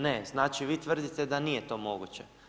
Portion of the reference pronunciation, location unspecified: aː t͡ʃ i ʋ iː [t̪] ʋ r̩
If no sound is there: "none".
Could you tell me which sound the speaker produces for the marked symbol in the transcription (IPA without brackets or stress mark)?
t̪